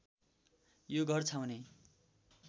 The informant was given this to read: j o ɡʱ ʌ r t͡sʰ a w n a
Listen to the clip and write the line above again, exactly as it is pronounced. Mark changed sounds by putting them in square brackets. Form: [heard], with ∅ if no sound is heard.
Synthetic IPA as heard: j o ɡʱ ʌ r t͡sʰ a w n [e]